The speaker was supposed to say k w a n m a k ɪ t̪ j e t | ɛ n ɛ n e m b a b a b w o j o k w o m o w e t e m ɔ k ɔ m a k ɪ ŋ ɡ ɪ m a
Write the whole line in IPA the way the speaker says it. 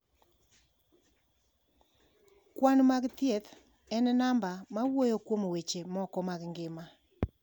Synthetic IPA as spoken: k w a n m a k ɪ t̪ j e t | ɛ n ɛ n a m b a m a w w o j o k w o m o w e t͡ʃ e m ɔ k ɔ m a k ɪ ŋ ɡ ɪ m a